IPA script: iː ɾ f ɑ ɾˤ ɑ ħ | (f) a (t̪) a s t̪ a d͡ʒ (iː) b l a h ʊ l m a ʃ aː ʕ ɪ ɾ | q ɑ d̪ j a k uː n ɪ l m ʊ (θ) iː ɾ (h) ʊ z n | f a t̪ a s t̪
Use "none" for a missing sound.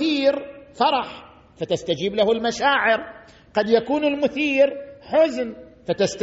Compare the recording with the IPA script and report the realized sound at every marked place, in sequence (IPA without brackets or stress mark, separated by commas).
f, t̪, iː, θ, ħ